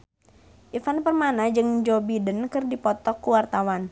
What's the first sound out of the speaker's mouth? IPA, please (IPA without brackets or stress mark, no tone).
ʔ